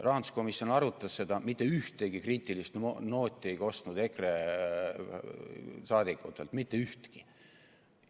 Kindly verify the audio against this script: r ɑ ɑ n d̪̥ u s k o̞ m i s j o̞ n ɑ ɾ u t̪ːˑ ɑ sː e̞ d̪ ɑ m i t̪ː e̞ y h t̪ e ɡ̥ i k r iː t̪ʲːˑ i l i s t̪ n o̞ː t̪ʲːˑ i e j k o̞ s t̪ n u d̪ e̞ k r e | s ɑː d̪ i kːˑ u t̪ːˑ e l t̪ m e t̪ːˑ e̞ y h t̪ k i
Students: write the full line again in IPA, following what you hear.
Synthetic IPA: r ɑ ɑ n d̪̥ u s k o̞ m i s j o̞ n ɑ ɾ u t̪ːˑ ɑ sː e̞ d̪ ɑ m i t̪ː e̞ y h t̪ e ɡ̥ i k r iː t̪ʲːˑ i l i s t̪ n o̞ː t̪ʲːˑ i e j k o̞ s t̪ n u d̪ e̞ k r e | s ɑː d̪ i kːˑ u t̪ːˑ e l t̪ m i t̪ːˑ e̞ y h t̪ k i